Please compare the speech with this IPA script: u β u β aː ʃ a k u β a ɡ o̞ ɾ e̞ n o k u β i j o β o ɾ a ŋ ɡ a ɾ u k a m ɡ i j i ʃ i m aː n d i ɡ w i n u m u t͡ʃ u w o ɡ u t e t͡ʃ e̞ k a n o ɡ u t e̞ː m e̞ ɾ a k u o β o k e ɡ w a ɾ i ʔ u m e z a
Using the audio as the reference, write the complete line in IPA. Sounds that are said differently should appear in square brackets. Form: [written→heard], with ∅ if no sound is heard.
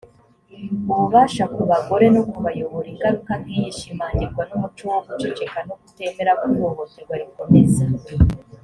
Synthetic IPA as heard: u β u β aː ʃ a k u β a ɡ o̞ ɾ e̞ n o k u β [i→a] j o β o ɾ [a→i] ŋ ɡ a ɾ u k a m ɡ i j i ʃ i m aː n d i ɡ w [i→a] n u m u t͡ʃ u w o ɡ u [t→t͡ʃ] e t͡ʃ e̞ k a n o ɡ u t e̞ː m e̞ ɾ a k u o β o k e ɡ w a ɾ i [ʔ→k] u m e z a